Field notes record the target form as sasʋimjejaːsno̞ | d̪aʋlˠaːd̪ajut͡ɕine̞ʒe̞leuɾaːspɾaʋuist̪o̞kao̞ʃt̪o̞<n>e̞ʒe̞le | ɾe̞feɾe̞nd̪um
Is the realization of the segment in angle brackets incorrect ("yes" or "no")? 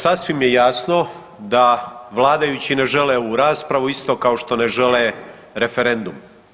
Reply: no